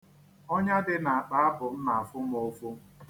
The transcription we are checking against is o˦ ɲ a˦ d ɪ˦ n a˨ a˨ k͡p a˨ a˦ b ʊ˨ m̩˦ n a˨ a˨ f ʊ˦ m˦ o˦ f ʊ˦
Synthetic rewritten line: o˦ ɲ a˦ d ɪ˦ n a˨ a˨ k͡p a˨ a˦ b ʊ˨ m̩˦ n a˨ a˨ f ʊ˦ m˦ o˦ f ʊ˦